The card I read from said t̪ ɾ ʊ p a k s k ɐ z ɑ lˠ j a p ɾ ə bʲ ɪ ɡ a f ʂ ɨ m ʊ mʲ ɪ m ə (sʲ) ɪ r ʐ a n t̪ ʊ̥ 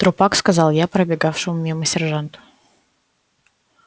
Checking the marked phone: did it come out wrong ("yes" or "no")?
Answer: no